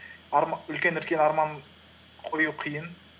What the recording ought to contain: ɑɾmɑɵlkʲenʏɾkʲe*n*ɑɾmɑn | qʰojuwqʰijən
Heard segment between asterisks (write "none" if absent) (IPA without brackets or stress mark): n